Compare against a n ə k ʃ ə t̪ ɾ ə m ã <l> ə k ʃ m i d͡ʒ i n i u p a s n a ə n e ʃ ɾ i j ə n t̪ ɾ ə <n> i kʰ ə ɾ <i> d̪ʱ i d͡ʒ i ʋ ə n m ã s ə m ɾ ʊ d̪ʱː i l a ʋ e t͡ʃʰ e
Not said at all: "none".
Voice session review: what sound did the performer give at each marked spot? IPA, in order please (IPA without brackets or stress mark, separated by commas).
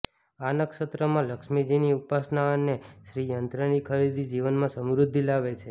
l, n, i